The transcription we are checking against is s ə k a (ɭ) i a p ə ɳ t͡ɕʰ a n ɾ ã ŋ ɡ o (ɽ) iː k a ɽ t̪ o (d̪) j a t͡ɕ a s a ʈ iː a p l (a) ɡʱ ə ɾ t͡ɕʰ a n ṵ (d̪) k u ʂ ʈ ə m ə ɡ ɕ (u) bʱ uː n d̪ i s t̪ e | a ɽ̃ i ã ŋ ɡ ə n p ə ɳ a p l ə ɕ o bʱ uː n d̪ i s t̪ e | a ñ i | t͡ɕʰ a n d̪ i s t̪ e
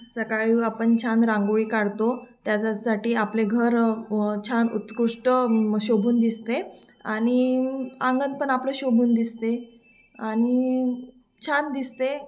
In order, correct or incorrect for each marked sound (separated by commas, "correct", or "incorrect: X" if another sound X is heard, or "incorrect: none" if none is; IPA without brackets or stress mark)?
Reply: correct, incorrect: ɭ, incorrect: t̪, incorrect: e, incorrect: t̪, incorrect: o